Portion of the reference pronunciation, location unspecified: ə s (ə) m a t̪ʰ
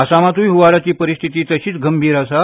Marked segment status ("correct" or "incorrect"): incorrect